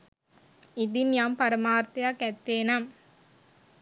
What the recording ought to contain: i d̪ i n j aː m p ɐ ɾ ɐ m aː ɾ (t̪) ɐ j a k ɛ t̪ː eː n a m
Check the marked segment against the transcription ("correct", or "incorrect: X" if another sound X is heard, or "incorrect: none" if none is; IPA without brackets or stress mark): correct